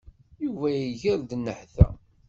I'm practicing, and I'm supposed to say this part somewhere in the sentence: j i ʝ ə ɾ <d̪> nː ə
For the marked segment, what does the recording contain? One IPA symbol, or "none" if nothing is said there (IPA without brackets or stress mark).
d̪